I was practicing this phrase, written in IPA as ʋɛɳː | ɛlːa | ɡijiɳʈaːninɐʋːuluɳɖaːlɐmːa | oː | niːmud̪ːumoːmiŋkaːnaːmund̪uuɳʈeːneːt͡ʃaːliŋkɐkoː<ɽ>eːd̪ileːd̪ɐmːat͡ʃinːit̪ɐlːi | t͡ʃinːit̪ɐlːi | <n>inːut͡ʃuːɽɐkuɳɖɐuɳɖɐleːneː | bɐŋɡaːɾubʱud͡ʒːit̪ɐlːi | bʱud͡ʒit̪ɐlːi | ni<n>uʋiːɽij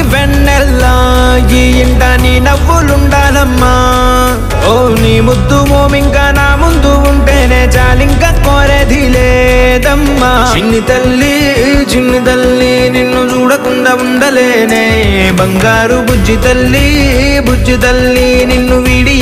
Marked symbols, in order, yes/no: no, yes, no

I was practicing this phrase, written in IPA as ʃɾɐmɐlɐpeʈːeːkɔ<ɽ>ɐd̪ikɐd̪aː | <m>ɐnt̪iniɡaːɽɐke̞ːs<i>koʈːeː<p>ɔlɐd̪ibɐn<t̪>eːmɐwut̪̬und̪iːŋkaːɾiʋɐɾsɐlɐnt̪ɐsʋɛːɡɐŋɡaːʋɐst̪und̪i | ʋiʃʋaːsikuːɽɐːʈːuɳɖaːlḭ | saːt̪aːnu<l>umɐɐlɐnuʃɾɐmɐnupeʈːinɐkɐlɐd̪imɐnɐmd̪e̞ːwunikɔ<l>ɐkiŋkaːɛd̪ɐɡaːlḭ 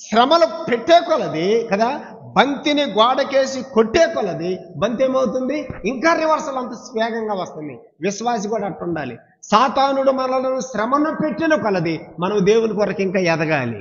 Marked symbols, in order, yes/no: no, no, yes, no, yes, no, no

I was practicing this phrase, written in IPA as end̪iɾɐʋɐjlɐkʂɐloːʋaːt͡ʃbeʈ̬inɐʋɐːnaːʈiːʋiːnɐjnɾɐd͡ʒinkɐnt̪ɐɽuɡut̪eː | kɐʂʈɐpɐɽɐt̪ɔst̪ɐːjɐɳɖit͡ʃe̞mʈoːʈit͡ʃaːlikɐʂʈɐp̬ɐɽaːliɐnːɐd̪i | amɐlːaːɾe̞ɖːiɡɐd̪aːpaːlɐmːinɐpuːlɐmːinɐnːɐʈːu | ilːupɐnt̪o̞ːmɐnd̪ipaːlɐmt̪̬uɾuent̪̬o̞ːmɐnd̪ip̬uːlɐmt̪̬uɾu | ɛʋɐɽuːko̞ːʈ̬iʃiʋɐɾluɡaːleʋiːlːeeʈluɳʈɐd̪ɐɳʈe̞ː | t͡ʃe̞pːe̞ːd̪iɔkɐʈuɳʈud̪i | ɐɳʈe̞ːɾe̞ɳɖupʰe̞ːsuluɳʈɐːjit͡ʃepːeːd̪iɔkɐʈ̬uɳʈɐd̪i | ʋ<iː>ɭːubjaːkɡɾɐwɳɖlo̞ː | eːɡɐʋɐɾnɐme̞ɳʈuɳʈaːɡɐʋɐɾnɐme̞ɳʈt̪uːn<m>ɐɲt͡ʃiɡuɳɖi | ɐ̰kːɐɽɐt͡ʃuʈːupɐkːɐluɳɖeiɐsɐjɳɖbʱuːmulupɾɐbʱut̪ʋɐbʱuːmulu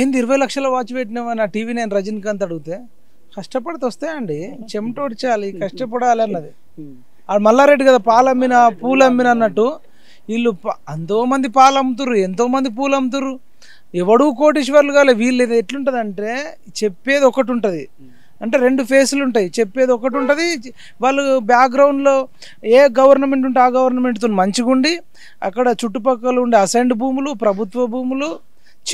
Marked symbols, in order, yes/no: no, yes

